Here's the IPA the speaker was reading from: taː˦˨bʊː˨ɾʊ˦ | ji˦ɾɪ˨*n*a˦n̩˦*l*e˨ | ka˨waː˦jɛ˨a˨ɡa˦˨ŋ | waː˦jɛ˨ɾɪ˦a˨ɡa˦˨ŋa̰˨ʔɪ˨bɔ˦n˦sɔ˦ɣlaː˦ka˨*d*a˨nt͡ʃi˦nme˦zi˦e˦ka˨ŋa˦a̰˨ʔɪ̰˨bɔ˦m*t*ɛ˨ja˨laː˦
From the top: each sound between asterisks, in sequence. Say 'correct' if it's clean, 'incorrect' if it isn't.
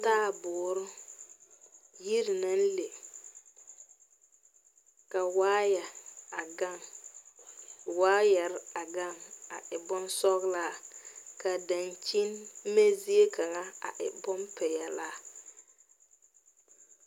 correct, correct, correct, incorrect: p

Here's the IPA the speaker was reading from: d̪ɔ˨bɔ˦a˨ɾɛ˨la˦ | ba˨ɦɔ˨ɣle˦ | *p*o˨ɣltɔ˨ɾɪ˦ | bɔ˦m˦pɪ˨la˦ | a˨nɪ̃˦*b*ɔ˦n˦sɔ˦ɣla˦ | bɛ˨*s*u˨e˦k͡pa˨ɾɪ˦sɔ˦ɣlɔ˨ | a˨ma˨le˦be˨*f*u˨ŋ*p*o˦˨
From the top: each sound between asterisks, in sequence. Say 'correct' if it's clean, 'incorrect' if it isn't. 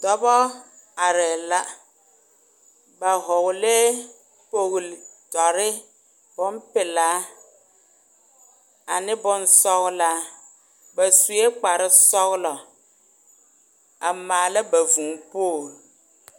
correct, correct, correct, incorrect: v, correct

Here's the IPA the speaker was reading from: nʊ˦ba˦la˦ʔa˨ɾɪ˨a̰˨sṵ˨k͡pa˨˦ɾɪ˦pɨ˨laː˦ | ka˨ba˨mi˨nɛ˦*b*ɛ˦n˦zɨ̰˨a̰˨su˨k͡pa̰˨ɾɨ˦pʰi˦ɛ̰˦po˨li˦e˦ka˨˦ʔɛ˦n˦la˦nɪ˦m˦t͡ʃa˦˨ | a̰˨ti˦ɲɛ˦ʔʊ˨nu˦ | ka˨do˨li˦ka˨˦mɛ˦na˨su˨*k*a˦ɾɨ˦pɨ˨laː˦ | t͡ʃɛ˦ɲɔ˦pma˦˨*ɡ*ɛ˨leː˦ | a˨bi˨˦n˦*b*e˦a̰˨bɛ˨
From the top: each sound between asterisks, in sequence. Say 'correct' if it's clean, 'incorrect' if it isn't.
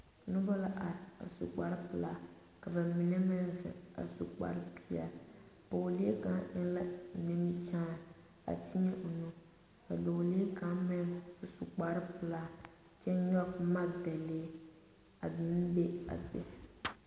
incorrect: m, incorrect: k͡p, incorrect: d, correct

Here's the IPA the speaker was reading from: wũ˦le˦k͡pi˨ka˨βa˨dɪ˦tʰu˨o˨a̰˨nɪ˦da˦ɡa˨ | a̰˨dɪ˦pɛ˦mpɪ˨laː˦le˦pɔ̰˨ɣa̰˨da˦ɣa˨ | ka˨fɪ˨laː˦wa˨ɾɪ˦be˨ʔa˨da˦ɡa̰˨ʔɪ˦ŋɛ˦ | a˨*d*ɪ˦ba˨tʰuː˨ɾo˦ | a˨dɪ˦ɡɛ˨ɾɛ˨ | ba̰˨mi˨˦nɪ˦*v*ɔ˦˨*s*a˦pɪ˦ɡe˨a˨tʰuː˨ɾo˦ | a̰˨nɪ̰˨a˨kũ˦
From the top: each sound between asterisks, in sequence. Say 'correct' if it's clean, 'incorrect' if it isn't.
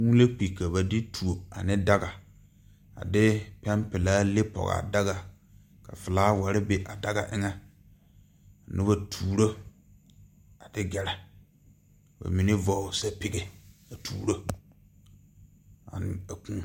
incorrect: n, correct, correct

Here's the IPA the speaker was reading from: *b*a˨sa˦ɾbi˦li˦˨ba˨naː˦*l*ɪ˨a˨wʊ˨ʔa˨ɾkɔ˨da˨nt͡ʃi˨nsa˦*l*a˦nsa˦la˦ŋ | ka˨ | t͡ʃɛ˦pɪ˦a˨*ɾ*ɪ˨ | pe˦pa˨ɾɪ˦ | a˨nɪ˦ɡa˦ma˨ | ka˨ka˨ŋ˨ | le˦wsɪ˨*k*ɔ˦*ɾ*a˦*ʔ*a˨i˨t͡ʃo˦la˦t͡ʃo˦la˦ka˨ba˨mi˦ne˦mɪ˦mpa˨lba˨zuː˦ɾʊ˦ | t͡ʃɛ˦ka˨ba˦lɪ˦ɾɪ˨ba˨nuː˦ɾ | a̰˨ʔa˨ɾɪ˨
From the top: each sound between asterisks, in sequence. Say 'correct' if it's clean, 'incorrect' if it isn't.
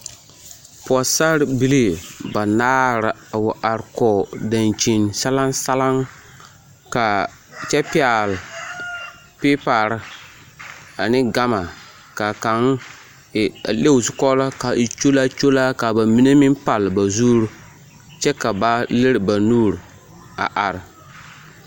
incorrect: p, incorrect: ɾ, correct, incorrect: l, correct, incorrect: l, incorrect: k

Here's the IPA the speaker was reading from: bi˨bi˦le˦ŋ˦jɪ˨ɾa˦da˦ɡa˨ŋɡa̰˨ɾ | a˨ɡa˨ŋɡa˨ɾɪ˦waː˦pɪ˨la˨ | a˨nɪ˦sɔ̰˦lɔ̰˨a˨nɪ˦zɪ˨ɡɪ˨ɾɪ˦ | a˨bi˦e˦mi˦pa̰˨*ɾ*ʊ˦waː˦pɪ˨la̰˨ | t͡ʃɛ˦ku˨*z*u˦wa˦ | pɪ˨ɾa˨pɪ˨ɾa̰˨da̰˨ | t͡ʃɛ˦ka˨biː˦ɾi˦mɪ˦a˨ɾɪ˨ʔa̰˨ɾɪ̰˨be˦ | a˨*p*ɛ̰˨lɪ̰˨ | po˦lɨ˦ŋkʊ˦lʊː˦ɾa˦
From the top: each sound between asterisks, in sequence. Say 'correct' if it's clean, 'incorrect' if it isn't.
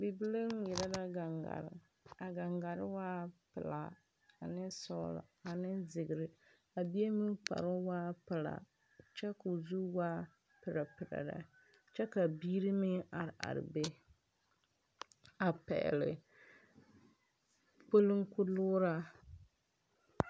correct, correct, correct

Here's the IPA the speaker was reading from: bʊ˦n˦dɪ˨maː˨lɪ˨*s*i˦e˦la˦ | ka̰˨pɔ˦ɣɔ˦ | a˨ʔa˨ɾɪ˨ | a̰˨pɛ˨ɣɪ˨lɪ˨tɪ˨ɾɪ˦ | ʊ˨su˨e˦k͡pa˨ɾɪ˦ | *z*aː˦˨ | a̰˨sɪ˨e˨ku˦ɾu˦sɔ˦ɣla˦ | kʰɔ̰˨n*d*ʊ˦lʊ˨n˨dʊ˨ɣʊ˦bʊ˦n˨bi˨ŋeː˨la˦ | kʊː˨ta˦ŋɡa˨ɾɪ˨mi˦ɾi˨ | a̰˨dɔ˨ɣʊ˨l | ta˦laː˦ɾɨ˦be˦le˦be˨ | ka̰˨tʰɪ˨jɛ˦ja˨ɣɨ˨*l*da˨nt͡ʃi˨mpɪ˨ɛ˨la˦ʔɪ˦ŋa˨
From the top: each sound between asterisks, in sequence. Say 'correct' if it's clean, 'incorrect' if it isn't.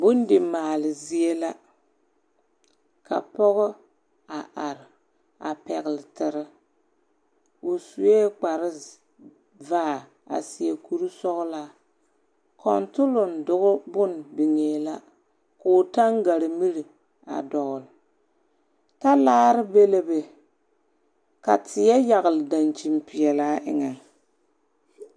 incorrect: z, incorrect: v, incorrect: t, correct

